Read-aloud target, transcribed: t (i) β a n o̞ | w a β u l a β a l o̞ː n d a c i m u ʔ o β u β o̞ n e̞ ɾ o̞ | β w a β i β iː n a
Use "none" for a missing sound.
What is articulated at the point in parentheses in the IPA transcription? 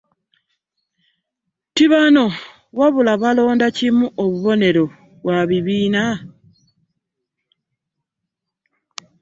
i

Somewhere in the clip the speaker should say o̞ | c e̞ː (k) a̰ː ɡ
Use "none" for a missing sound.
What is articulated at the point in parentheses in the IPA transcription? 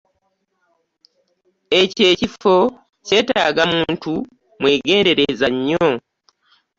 t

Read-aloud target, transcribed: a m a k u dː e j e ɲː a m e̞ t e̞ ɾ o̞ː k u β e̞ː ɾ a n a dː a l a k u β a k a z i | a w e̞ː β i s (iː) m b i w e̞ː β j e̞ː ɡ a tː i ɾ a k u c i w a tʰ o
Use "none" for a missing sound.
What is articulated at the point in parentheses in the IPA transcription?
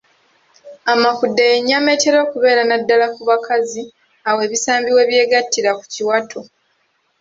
aː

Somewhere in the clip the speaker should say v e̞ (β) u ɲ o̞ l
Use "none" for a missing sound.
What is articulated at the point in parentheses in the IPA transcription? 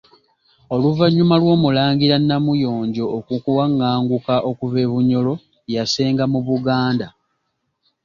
β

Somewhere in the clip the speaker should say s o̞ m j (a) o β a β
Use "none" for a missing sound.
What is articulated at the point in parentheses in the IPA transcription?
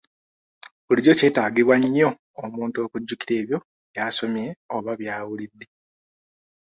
e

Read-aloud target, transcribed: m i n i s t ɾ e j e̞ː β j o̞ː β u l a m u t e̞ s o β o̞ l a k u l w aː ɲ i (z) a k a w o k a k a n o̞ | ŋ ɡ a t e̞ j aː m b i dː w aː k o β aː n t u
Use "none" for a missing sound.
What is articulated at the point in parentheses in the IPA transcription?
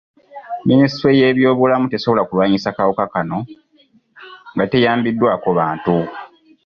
s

